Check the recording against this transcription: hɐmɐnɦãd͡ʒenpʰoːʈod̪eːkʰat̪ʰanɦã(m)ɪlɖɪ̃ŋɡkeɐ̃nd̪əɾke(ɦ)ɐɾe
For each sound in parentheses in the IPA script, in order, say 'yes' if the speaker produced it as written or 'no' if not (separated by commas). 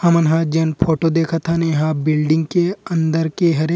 no, yes